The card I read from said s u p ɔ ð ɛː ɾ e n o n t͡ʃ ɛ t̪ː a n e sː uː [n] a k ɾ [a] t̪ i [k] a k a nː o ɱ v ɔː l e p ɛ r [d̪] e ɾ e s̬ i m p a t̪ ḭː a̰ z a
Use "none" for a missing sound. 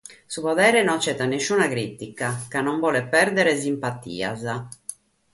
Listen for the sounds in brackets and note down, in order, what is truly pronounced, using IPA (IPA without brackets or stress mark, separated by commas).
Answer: n, i, k, d̪